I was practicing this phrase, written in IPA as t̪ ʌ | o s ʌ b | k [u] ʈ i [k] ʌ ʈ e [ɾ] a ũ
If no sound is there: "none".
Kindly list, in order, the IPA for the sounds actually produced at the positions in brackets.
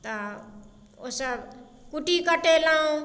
u, k, l

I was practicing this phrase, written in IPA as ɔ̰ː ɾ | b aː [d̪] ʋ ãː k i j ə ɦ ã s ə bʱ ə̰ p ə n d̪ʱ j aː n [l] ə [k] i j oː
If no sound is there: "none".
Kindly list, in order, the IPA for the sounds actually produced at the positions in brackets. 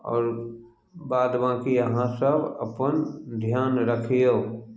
d̪, ɾ, kʰ

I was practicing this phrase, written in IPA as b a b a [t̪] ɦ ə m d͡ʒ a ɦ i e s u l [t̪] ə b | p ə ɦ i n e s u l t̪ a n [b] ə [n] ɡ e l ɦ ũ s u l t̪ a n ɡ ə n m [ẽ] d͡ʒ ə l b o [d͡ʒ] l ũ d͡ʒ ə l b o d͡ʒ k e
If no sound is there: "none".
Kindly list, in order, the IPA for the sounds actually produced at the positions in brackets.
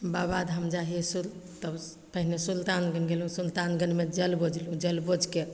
d̪, t̪, ɡ, n, e, d͡ʒ

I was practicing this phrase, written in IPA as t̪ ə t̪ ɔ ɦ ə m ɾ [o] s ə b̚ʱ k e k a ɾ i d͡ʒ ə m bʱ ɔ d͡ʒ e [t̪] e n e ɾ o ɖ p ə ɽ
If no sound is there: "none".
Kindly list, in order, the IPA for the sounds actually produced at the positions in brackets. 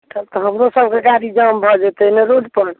o, t̪

